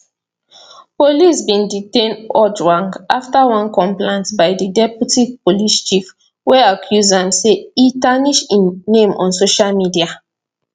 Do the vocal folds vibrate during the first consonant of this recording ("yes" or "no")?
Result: no